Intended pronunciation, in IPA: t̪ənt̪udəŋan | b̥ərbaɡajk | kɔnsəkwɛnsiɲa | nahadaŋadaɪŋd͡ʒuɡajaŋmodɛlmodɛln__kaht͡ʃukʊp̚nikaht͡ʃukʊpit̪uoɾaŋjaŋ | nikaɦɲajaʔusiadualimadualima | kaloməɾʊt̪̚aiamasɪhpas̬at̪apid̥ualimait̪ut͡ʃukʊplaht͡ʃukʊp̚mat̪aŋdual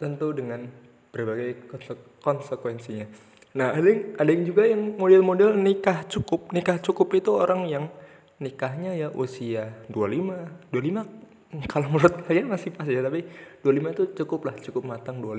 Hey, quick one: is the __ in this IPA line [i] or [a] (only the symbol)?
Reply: i